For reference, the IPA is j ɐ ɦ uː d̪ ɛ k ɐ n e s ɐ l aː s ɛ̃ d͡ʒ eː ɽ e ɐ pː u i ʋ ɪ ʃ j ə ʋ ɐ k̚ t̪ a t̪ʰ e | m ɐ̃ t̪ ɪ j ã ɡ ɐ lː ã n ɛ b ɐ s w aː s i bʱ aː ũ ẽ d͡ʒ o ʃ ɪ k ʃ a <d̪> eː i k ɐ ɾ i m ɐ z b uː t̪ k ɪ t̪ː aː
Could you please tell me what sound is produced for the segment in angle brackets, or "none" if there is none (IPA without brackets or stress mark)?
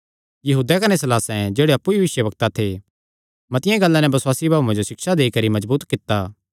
d̪